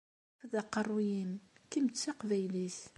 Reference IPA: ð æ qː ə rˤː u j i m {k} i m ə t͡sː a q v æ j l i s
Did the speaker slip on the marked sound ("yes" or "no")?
no